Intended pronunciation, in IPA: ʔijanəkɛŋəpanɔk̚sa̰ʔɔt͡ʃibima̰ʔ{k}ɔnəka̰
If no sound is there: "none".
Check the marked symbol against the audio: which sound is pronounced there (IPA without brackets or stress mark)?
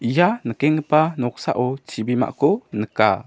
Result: k